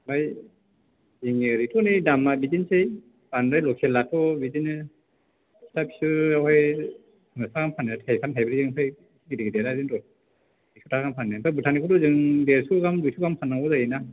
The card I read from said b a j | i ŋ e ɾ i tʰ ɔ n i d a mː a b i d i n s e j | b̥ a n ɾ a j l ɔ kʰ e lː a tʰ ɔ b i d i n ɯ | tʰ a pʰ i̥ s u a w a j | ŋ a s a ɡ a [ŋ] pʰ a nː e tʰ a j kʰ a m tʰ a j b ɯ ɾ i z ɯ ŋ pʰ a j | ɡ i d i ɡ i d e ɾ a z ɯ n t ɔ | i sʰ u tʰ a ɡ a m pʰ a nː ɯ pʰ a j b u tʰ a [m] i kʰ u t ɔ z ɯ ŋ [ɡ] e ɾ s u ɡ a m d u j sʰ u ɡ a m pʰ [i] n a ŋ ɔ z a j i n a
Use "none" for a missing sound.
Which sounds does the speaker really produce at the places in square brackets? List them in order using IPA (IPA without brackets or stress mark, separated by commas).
m, n, d, a